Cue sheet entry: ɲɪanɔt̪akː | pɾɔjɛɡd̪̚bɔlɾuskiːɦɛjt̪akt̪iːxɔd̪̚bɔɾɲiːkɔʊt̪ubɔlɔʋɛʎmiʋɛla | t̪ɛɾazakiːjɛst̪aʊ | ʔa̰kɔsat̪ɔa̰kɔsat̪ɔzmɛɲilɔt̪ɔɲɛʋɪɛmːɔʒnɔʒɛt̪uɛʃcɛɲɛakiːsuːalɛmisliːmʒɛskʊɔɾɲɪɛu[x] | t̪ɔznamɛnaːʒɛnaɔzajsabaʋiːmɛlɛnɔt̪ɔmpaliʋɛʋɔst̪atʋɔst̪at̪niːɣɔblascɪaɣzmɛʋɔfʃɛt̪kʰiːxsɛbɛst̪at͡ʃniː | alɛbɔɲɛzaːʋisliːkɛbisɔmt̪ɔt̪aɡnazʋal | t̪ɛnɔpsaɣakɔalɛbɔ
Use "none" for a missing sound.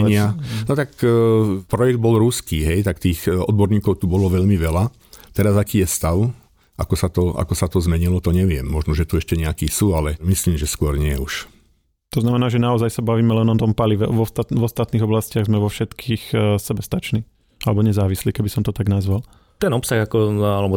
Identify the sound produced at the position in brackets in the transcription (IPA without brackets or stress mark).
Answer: ʃ